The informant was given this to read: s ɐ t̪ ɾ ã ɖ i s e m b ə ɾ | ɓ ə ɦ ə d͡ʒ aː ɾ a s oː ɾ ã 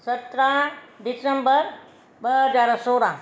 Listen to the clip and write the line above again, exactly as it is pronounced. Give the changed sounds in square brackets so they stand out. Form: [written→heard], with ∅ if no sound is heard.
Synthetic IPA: s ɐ t̪ ɾ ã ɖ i s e m b ə ɾ | [ɓ→b] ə ɦ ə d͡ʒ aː ɾ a s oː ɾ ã